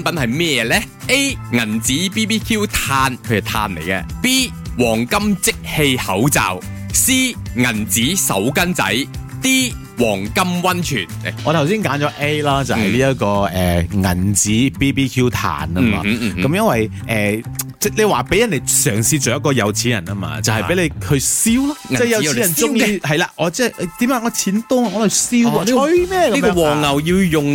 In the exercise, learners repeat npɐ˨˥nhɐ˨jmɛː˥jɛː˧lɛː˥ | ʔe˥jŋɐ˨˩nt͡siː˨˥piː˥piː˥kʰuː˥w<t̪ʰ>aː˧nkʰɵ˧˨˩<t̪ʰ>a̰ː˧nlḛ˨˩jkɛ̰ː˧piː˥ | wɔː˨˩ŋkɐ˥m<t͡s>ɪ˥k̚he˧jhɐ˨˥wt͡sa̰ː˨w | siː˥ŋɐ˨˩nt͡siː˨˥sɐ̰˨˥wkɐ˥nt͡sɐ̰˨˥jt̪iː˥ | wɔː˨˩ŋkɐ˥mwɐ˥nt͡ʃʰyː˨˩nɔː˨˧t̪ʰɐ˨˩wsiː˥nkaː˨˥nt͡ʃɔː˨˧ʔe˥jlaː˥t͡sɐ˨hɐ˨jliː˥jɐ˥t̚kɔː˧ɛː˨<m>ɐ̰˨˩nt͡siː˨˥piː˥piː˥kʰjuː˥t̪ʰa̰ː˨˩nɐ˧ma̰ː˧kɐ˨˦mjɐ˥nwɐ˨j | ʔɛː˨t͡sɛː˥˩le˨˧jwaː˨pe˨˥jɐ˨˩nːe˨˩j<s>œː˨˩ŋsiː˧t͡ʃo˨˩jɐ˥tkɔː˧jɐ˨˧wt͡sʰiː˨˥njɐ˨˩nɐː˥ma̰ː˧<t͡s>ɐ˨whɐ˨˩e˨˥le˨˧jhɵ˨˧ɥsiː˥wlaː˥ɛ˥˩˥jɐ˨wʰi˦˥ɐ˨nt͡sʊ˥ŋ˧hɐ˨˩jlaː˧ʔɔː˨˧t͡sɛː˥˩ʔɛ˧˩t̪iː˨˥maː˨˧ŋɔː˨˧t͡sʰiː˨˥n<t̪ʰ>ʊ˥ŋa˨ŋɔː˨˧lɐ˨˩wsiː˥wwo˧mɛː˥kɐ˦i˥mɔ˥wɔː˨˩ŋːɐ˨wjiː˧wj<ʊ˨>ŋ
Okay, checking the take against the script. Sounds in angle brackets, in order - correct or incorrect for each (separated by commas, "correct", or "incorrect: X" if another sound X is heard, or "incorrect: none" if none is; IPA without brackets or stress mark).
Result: correct, correct, correct, incorrect: ŋ, correct, correct, incorrect: t̪, correct